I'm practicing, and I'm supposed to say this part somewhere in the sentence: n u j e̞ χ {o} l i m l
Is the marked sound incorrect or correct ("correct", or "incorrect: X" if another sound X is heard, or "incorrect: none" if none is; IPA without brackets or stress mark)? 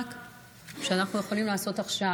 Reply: correct